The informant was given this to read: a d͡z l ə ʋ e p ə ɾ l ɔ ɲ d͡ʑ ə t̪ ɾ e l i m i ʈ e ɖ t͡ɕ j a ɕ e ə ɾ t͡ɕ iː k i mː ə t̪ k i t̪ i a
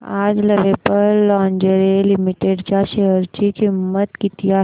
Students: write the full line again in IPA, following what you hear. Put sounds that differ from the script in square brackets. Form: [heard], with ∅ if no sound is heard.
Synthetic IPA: a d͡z l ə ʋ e p ə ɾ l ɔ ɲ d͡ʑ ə [∅] ɾ e l i m i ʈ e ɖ t͡ɕ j a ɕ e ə ɾ t͡ɕ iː k i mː ə t̪ k i t̪ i a